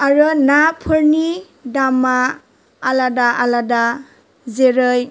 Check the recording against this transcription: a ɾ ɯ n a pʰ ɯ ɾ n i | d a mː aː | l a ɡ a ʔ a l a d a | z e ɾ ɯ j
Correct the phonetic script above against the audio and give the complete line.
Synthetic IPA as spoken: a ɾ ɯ n a pʰ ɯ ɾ n i | d a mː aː | l a d a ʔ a l a d a | z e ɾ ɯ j